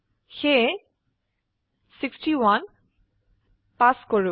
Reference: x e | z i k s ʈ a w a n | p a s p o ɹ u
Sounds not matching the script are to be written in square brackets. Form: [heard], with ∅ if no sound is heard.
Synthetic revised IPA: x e | [s] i k s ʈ [i] w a n | p a s [k] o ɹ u